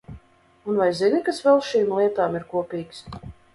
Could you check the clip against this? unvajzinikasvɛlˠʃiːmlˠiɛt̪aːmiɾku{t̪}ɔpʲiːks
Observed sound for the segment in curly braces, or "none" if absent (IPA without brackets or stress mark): none